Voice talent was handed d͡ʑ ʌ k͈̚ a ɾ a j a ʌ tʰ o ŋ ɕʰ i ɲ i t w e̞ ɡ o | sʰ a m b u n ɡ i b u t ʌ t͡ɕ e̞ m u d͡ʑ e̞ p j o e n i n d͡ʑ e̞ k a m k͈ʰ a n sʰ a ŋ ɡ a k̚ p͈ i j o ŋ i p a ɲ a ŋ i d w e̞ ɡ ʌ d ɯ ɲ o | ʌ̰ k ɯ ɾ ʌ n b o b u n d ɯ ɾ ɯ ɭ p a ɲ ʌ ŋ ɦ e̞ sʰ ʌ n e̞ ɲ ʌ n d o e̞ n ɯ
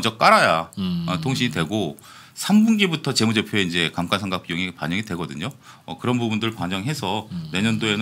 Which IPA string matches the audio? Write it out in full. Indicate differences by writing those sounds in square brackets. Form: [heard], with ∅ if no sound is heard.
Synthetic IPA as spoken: d͡ʑ ʌ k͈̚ a ɾ a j a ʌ tʰ o ŋ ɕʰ i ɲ i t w e̞ ɡ o | sʰ a m b u n ɡ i b u [tʰ] ʌ t͡ɕ e̞ m u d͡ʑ e̞ [pʰ] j o e [∅] i n d͡ʑ e̞ k a m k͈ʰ a n sʰ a ŋ ɡ a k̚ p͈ i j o ŋ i p a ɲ [ʌ] ŋ i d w e̞ ɡ ʌ d ɯ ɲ o | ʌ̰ k ɯ ɾ ʌ n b [u] b u n d ɯ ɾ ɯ ɭ p a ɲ ʌ ŋ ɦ e̞ sʰ ʌ n e̞ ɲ ʌ n d o e̞ n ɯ